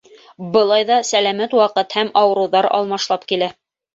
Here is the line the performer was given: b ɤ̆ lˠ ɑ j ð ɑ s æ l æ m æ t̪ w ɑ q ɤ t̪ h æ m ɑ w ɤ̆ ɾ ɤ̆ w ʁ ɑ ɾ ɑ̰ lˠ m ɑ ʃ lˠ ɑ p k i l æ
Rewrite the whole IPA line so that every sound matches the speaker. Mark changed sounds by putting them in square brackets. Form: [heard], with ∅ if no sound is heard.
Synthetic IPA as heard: b ɤ̆ lˠ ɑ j ð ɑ s æ l æ m æ t̪ w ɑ q ɤ t̪ h æ m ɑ w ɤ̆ ɾ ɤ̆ w [ð] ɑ ɾ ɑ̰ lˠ m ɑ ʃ lˠ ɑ p k i l æ